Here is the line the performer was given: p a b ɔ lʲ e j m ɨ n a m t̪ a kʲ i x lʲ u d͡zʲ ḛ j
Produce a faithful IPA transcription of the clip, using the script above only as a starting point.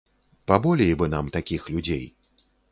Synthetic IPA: p a b ɔ lʲ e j b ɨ n a m t̪ a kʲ i x lʲ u d͡zʲ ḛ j